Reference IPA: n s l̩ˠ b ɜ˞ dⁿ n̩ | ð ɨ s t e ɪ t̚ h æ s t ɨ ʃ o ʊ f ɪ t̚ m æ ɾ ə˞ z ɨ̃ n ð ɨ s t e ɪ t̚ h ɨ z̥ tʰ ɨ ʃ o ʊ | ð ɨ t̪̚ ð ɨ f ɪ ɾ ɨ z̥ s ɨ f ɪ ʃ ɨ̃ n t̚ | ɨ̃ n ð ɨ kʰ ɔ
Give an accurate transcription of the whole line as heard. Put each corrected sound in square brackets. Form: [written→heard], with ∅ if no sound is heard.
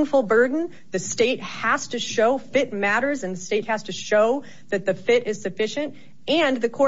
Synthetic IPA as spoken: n [s→f] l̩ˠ b ɜ˞ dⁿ n̩ | ð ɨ s t e ɪ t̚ h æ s t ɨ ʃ o ʊ f ɪ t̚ m æ ɾ ə˞ z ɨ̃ n ð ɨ s t e ɪ t̚ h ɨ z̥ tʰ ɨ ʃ o ʊ | ð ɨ t̪̚ ð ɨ f ɪ ɾ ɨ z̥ s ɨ f ɪ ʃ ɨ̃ n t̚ | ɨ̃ n ð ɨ kʰ ɔ

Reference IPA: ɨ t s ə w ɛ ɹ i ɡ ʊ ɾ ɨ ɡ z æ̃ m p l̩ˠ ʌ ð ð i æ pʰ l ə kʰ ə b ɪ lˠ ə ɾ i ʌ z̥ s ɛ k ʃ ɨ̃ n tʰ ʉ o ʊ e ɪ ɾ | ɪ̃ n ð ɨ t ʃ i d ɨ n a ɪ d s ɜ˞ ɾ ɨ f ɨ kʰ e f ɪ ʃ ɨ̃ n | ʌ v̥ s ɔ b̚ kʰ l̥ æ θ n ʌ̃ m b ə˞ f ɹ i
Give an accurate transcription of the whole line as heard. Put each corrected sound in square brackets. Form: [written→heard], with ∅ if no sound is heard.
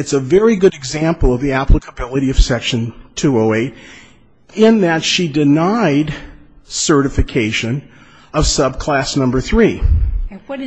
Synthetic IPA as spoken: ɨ t s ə [w→v] ɛ ɹ i ɡ ʊ ɾ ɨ ɡ z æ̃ m p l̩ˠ ʌ [ð→v] ð i æ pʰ l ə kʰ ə b ɪ lˠ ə ɾ i ʌ [z̥→v̥] s ɛ k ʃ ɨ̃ n tʰ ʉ o ʊ e ɪ ɾ | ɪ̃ n ð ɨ t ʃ i d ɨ n a ɪ d s ɜ˞ ɾ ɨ f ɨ kʰ e [f→∅] ɪ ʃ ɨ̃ n | ʌ v̥ s [ɔ→ʌ] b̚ kʰ l̥ æ [θ→s] n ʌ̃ m b ə˞ [f→θ] ɹ i

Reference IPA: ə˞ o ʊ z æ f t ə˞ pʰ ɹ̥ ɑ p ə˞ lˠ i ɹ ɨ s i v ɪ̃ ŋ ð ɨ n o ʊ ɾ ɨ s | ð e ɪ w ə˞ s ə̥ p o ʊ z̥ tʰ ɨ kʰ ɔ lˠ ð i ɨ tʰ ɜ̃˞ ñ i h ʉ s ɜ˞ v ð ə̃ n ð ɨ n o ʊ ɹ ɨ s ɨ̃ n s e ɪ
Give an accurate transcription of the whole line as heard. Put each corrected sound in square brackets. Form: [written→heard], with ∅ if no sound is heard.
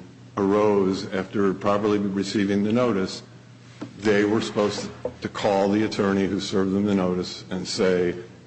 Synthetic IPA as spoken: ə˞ o ʊ z æ f t ə˞ pʰ ɹ̥ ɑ p ə˞ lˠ i ɹ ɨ s i v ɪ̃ ŋ ð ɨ n o ʊ ɾ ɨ s | ð e ɪ w ə˞ s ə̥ p o ʊ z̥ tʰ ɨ kʰ ɔ lˠ ð i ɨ tʰ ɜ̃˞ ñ i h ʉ s ɜ˞ v ð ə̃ [n→m] ð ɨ n o ʊ [ɹ→ɾ] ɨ s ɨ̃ n s e ɪ

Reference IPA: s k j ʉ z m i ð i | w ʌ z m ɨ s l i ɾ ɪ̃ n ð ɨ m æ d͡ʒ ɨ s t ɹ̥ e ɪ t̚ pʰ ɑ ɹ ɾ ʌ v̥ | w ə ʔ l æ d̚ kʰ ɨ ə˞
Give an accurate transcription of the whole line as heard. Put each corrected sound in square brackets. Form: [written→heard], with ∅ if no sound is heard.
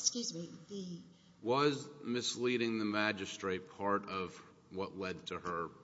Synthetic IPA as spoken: s k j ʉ z m i ð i | w ʌ z m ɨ s l i ɾ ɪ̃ [n→ŋ] ð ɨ m æ d͡ʒ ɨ s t ɹ̥ e ɪ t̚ pʰ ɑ ɹ ɾ ʌ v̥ | w [ə→ʌ] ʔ l [æ→ɛ] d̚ [kʰ→tʰ] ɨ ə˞

